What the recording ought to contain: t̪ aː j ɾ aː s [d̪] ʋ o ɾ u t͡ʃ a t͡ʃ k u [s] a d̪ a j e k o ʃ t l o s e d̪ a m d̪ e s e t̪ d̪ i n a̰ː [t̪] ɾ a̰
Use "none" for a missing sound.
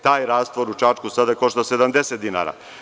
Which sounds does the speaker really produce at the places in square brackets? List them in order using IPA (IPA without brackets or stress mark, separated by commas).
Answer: t̪, s, none